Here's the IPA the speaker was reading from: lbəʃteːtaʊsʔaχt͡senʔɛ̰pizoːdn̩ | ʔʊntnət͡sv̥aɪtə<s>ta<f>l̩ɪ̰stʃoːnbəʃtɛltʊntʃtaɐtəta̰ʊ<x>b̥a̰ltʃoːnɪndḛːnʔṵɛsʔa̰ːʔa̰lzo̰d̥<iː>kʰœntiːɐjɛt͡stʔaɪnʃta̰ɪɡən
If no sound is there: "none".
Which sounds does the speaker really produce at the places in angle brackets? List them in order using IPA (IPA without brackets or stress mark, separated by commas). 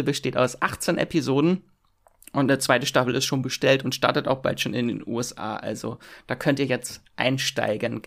ʃ, f, x, aː